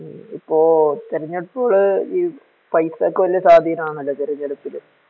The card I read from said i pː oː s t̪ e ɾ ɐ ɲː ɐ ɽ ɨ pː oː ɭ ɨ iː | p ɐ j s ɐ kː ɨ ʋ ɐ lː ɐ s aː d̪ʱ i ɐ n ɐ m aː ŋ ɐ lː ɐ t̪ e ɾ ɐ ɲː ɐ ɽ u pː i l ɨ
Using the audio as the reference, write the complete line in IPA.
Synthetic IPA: i pː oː t̪ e ɾ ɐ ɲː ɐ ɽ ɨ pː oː ɭ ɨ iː | p ɐ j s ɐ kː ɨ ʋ ɐ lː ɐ s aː d̪ʱ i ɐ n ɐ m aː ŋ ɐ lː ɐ t̪ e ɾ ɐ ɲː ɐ ɽ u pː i l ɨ